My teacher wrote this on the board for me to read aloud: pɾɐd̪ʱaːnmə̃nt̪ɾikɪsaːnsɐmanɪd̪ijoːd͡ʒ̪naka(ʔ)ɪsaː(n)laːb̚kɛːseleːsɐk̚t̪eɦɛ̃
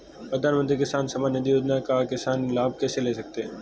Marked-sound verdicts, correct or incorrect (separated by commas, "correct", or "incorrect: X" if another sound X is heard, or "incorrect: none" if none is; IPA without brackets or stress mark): incorrect: k, correct